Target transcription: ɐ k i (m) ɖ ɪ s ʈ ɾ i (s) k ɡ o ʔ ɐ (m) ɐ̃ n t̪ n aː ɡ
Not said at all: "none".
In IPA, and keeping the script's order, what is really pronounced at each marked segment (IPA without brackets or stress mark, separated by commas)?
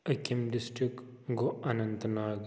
m, none, n